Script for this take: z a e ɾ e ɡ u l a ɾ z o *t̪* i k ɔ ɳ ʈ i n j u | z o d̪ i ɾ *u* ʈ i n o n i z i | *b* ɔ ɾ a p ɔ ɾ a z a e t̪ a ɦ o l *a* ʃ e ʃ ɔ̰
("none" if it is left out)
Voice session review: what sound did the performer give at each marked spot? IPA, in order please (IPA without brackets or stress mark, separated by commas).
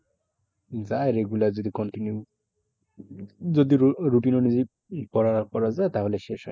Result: d̪, u, p, e